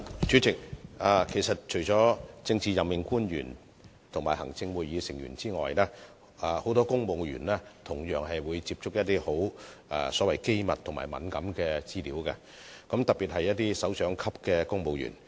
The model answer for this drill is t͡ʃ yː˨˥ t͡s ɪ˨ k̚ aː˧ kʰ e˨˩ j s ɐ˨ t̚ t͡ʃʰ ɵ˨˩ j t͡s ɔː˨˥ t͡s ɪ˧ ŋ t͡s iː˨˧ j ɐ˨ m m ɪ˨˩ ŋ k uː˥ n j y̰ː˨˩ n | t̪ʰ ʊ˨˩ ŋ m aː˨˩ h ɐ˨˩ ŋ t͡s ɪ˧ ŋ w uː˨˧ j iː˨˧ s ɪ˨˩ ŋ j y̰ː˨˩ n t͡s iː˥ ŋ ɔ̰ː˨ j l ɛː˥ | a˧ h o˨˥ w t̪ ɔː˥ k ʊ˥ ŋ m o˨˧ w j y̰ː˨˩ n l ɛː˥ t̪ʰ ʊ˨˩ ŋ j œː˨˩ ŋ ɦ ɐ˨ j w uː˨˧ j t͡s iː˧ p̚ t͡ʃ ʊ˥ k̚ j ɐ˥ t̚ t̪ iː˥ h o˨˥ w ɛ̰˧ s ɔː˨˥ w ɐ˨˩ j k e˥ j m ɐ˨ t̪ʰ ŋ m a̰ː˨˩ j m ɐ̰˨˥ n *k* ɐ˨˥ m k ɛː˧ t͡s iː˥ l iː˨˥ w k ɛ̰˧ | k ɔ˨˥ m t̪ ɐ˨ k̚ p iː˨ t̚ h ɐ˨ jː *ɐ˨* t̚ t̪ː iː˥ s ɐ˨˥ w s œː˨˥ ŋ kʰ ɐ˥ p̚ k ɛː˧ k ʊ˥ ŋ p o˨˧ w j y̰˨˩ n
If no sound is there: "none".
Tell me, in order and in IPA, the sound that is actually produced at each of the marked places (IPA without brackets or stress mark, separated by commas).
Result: k, ɐ˥